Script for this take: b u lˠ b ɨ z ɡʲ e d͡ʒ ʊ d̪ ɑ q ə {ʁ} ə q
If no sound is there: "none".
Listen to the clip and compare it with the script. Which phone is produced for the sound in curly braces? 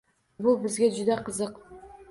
z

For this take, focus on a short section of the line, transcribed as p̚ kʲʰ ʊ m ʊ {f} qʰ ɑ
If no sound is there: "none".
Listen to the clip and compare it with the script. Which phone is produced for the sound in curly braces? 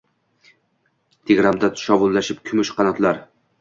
ʃ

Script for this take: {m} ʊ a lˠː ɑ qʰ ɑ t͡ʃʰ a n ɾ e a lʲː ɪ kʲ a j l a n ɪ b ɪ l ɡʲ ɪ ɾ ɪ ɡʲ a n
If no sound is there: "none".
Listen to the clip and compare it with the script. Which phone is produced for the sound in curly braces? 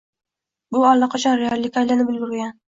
b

